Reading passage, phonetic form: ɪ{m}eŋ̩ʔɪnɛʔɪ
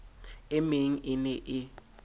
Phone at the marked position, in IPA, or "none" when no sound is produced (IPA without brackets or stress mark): m